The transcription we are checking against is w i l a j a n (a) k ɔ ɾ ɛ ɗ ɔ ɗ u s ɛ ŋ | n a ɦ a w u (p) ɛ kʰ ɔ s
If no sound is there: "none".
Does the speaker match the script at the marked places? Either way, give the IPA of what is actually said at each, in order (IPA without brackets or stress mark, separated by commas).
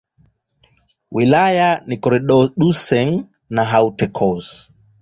i, t